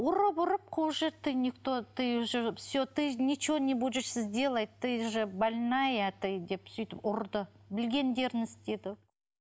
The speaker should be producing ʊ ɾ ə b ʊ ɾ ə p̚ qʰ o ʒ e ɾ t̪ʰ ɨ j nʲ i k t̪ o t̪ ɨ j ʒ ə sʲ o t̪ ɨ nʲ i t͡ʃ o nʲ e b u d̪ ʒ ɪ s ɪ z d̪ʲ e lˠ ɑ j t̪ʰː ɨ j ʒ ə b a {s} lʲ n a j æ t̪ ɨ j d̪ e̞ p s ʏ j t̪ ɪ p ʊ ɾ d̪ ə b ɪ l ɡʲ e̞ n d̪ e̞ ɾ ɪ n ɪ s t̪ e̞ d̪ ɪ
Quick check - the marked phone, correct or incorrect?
incorrect